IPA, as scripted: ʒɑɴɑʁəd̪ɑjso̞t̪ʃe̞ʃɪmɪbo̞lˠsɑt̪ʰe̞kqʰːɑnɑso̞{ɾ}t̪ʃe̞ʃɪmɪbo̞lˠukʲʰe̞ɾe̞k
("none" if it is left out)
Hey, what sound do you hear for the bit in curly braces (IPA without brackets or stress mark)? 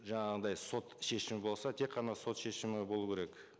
none